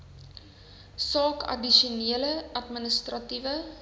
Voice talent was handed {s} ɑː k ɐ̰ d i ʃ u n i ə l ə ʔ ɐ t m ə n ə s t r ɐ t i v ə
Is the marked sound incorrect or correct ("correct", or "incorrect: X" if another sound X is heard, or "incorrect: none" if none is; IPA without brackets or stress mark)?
correct